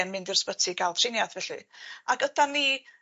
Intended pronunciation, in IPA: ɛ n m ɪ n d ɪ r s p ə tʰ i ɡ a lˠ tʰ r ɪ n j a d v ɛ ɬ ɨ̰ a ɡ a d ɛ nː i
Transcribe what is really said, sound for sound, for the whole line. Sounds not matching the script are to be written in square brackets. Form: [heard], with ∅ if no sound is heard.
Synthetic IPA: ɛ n m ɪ n d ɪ r s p ə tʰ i ɡ a lˠ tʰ r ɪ n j a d v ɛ ɬ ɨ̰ a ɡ [ə] d [a] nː i